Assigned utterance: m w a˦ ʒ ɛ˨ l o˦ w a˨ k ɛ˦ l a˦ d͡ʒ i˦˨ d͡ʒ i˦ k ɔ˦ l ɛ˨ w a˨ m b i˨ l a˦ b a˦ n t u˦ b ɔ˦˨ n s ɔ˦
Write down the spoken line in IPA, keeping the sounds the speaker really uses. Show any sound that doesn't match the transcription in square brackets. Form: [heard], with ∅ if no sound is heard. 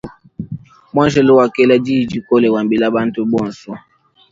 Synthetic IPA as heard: m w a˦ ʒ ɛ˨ l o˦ w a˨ k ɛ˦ l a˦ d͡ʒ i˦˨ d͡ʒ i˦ k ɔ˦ l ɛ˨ w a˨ m b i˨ l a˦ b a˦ n t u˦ b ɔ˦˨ n s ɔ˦